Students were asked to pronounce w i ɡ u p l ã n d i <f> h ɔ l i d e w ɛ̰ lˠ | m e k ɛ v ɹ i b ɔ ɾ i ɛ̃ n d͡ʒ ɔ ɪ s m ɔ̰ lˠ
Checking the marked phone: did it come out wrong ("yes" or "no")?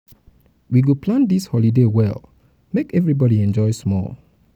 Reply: yes